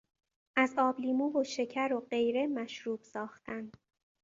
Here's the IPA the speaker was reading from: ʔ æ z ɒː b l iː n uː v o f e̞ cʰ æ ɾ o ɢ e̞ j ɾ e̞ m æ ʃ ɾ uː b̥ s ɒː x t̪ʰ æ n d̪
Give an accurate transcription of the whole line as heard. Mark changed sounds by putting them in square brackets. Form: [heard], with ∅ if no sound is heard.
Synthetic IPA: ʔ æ z ɒː b l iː [m] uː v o [ʃ] e̞ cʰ æ ɾ o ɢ e̞ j ɾ e̞ m æ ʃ ɾ uː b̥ s ɒː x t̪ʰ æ n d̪